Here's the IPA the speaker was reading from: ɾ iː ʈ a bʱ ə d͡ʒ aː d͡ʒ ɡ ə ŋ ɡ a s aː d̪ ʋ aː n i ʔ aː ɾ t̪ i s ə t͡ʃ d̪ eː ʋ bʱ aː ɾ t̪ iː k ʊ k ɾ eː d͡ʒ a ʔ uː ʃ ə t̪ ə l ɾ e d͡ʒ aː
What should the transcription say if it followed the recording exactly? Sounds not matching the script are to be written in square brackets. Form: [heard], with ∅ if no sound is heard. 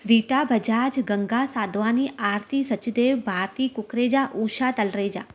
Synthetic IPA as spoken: ɾ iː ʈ a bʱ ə d͡ʒ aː d͡ʒ ɡ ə ŋ ɡ a s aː d̪ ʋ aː n i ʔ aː ɾ t̪ i s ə t͡ʃ d̪ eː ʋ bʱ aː ɾ t̪ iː k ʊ k ɾ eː d͡ʒ a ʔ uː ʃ [a] t̪ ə l ɾ e d͡ʒ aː